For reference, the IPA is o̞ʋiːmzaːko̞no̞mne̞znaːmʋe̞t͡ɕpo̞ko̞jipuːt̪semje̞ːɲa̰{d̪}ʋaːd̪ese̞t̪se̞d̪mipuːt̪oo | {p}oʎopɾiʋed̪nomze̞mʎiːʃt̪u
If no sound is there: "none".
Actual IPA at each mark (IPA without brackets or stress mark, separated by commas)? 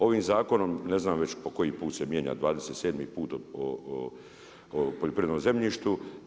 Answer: d̪, p